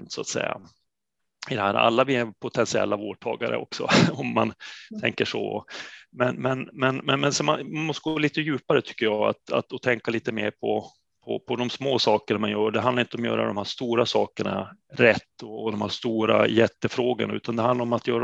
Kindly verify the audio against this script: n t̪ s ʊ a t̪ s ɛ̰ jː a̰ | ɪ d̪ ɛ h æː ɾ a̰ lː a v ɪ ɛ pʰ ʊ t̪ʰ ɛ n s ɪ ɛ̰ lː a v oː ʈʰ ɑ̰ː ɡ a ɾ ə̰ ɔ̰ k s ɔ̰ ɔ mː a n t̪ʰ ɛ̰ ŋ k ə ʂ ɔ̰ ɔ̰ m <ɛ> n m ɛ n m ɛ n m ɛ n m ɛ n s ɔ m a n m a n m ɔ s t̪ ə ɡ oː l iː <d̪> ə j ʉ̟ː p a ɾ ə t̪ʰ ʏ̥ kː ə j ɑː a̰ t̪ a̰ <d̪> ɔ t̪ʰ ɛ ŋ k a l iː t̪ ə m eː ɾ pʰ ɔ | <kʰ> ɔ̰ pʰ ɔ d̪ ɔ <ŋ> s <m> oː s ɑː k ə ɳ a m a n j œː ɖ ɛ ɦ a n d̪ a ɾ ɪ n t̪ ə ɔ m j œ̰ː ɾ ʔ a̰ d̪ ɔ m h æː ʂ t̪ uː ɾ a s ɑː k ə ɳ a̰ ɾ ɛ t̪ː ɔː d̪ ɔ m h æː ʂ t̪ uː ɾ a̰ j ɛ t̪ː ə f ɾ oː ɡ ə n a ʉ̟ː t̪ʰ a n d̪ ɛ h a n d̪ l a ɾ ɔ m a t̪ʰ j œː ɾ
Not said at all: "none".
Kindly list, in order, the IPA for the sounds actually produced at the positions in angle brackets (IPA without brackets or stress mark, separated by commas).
ɛ, t̪, t̪, pʰ, m, m